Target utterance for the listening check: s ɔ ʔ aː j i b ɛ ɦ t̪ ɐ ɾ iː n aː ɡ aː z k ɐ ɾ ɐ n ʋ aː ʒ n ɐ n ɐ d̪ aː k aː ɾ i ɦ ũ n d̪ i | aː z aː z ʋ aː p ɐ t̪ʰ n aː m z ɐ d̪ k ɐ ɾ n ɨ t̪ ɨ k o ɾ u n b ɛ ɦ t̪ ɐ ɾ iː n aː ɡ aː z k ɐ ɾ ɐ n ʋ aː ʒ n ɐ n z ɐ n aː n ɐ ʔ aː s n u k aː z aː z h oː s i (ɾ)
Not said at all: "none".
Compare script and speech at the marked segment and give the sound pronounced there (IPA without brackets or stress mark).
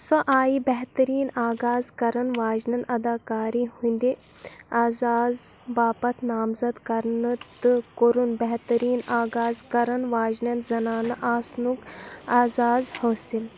l